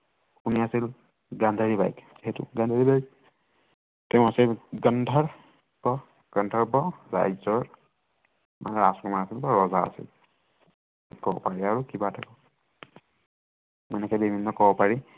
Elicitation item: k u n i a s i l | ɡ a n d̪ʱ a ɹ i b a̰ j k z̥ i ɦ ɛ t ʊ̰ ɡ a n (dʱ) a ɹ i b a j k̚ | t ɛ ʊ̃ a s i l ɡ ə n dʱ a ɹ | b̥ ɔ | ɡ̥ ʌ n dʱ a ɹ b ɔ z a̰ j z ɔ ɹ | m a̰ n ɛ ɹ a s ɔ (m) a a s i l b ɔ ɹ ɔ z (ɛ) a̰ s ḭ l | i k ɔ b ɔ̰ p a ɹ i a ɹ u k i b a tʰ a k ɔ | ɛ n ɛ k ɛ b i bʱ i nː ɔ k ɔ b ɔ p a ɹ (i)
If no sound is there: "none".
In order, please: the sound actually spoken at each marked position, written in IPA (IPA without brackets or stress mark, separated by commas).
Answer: dʱ, m, a, i